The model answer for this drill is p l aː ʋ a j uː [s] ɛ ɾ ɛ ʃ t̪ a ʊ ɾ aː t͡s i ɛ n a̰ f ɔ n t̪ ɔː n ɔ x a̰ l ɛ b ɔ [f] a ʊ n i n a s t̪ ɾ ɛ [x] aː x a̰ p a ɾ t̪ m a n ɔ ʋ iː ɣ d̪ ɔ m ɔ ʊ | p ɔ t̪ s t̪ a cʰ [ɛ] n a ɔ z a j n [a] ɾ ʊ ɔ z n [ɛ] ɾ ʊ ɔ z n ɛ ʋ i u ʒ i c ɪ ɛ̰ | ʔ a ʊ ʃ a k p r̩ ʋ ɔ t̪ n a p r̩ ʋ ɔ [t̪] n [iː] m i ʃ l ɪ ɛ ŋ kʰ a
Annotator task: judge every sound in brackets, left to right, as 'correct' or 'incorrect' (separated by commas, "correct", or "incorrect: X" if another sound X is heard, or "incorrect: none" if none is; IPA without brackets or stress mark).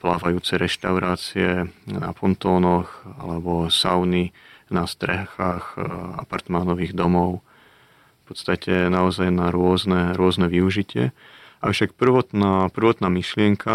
incorrect: t͡s, incorrect: s, correct, correct, correct, correct, correct, incorrect: aː